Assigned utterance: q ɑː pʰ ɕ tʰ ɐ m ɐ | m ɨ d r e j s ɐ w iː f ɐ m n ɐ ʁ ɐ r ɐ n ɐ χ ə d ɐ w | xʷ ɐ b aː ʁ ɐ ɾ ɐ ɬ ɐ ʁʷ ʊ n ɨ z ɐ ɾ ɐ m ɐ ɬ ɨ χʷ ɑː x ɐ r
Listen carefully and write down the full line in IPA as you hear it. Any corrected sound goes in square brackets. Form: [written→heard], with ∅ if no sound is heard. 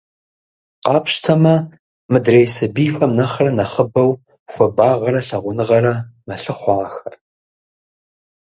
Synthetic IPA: q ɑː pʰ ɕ tʰ ɐ m ɐ | m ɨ d r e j s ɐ [w→b] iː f ɐ m n ɐ [ʁ→χ] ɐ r ɐ n ɐ χ ə [d→b] ɐ w | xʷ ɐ b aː ʁ ɐ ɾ ɐ ɬ ɐ ʁʷ ʊ n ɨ [z→ʁ] ɐ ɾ ɐ m ɐ ɬ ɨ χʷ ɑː x ɐ r

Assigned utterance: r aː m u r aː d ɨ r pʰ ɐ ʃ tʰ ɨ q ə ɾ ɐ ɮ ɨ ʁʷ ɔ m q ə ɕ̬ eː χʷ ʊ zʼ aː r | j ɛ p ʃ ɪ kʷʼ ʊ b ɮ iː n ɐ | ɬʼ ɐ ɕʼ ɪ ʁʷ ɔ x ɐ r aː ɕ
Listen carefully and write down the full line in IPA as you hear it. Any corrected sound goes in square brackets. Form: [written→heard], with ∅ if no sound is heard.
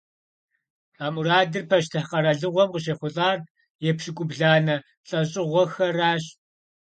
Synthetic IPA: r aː m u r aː d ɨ r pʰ ɐ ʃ tʰ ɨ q [ə→ɐ] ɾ ɐ ɮ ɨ ʁʷ ɔ m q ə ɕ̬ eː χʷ ʊ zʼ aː r | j ɛ p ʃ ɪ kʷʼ ʊ b ɮ [iː→aː] n ɐ | ɬʼ ɐ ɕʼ ɪ ʁʷ ɔ x ɐ r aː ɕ

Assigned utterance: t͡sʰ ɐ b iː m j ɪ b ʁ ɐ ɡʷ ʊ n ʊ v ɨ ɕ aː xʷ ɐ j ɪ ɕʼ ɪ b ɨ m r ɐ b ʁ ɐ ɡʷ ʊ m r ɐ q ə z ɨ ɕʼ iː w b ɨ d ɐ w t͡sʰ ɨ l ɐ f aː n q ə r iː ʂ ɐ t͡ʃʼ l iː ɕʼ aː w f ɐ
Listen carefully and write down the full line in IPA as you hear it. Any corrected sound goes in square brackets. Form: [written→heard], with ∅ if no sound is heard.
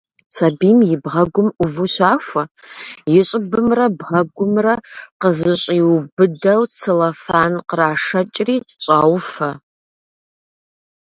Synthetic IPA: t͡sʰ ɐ b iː m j ɪ b ʁ ɐ ɡʷ ʊ [n→m] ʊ v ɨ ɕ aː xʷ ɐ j ɪ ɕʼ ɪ b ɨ m r ɐ b ʁ ɐ ɡʷ ʊ m r ɐ q ə z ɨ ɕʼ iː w b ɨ d ɐ w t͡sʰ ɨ l ɐ f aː n q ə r [iː→aː] ʂ ɐ t͡ʃʼ [l→r] iː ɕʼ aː w f ɐ

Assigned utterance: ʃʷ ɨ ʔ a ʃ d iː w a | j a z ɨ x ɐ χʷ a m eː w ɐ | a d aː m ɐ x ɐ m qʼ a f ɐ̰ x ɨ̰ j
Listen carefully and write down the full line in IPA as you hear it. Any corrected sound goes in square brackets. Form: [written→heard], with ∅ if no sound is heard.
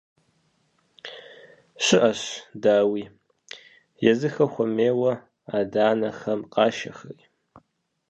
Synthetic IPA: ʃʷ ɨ ʔ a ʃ d [iː→aː] w [a→i] | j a z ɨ x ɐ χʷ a m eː w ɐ | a d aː [m→n] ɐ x ɐ m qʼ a [f→ʃ] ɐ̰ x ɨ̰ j

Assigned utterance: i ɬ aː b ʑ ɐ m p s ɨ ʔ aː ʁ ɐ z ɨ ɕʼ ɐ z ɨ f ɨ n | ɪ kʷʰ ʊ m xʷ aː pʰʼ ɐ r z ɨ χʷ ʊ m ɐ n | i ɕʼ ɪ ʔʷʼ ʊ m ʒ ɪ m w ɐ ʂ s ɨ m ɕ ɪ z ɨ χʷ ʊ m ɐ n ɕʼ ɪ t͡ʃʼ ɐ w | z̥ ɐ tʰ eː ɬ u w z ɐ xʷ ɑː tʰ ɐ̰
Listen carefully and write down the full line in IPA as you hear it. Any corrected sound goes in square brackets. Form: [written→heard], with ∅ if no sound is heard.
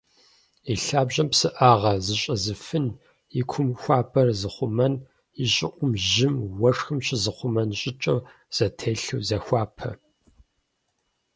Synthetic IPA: i ɬ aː b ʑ ɐ m p s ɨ ʔ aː ʁ ɐ z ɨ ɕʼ ɐ z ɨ f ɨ n | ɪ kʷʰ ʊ m xʷ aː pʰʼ ɐ r z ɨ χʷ ʊ m ɐ n | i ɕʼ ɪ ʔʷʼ ʊ m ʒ ɪ m w ɐ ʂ [s→x] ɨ m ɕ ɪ z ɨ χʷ ʊ m ɐ n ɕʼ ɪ t͡ʃʼ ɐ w | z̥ ɐ tʰ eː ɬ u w z ɐ xʷ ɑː [tʰ→pʰ] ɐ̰

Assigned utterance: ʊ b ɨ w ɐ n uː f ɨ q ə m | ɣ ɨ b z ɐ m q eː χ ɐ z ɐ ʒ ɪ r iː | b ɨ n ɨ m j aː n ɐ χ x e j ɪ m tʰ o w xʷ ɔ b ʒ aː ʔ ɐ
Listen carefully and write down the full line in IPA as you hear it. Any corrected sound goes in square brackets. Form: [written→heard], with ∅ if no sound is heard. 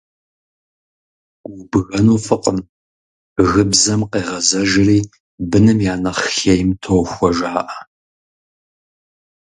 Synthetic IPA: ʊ b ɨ [w→ɣ] ɐ n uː f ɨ q ə m | ɣ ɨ b z ɐ m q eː [χ→ʁ] ɐ z ɐ ʒ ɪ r iː | b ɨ n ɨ m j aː n ɐ χ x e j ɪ m tʰ o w xʷ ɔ [b→∅] ʒ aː ʔ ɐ

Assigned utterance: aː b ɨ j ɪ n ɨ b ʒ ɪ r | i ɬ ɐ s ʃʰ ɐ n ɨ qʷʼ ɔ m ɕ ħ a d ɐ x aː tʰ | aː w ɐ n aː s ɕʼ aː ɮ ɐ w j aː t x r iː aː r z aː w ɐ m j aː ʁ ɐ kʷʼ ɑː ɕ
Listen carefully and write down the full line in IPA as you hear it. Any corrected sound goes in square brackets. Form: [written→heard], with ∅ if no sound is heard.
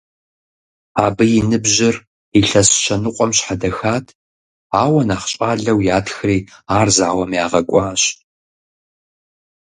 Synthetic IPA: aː b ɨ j ɪ n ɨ b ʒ ɪ r | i ɬ ɐ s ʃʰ ɐ n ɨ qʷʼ ɔ m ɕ ħ a d ɐ x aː tʰ | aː w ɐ n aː [s→χ] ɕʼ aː ɮ ɐ w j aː t x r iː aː r z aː w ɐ m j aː ʁ ɐ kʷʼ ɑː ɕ

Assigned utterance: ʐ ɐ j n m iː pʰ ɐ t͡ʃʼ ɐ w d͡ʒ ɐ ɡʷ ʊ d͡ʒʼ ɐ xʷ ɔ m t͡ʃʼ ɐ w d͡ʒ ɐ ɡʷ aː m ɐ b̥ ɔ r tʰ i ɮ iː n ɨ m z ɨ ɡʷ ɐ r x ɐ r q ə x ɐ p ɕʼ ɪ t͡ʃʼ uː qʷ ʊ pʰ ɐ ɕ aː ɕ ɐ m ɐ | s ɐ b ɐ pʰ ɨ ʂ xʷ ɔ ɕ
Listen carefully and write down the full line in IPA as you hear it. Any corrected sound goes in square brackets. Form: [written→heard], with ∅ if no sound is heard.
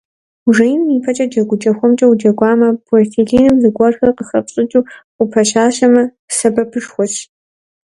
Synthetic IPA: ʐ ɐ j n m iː pʰ ɐ t͡ʃʼ ɐ [w→∅] d͡ʒ ɐ ɡʷ ʊ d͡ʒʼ ɐ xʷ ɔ m t͡ʃʼ ɐ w d͡ʒ ɐ ɡʷ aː m ɐ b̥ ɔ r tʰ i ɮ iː n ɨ m z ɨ ɡʷ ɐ r x ɐ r q ə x ɐ p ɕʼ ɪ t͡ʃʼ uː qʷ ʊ pʰ ɐ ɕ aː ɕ ɐ m ɐ | s ɐ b ɐ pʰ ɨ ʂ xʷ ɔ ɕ

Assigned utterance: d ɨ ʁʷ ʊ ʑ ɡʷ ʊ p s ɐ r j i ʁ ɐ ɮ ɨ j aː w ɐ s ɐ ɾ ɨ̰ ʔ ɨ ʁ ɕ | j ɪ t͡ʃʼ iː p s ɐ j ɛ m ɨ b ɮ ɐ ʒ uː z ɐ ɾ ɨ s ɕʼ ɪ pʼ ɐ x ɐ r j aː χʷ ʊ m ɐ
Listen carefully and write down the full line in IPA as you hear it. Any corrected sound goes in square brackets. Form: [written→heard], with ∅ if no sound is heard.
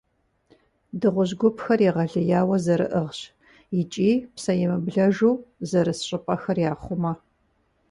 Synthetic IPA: d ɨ ʁʷ ʊ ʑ ɡʷ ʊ p [s→x] ɐ r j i ʁ ɐ ɮ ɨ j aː w ɐ [s→z] ɐ ɾ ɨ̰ ʔ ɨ ʁ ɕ | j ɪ t͡ʃʼ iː p s ɐ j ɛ m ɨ b ɮ ɐ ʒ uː z ɐ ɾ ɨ s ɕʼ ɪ pʼ ɐ x ɐ r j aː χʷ ʊ m ɐ

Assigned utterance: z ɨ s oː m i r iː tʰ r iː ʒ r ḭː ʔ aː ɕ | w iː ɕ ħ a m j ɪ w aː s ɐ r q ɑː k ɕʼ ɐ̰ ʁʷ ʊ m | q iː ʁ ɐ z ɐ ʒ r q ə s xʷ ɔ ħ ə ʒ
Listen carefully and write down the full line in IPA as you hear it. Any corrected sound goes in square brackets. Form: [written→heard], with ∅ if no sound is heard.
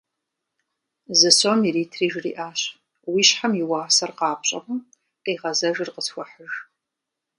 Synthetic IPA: z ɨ s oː m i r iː tʰ r iː ʒ r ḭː ʔ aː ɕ | w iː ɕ ħ a m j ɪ w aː s ɐ r q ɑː [k→p] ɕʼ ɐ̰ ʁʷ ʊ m | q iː ʁ ɐ z ɐ ʒ r q ə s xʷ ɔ ħ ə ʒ

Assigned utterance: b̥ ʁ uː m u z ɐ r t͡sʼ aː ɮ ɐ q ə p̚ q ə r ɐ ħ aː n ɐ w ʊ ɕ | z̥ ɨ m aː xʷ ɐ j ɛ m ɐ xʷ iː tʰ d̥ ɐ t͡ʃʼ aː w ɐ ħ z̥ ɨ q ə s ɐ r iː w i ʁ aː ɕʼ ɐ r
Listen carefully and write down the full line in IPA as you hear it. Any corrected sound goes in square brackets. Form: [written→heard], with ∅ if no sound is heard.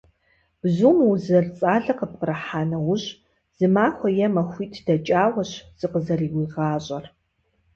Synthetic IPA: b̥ [ʁ→z] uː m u z ɐ r t͡sʼ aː ɮ ɐ q ə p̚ q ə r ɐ ħ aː n ɐ w ʊ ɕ | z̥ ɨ m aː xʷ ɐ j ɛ m ɐ xʷ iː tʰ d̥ ɐ t͡ʃʼ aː w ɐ [ħ→ɕ] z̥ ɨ q ə [s→z] ɐ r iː w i ʁ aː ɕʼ ɐ r

